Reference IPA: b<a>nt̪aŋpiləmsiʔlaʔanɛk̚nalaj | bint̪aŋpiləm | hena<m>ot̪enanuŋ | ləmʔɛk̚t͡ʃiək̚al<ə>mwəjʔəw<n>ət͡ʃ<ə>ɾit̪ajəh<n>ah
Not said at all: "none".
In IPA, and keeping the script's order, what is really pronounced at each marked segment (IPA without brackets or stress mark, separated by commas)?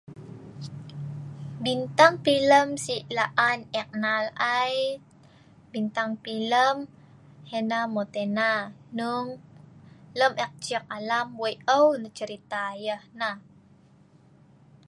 i, m, a, n, ə, n